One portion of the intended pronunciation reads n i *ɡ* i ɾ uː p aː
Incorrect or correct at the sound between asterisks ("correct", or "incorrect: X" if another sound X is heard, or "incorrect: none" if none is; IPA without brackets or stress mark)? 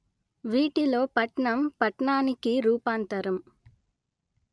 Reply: incorrect: k